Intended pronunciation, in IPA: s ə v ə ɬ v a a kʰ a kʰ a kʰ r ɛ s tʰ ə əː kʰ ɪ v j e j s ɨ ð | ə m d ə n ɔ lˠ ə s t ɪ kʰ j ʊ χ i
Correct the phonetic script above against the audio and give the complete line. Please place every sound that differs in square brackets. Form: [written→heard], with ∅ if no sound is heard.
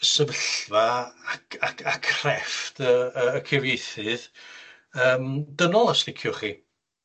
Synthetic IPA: s ə v ə ɬ v a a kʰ a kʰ a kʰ r ɛ [s→f] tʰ ə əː kʰ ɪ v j e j [s→θ] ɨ ð | [ə→əː] m d ə n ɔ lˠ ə s t ɪ kʰ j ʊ χ i